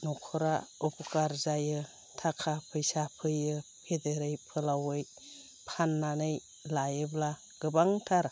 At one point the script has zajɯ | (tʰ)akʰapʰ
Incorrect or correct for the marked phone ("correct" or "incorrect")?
correct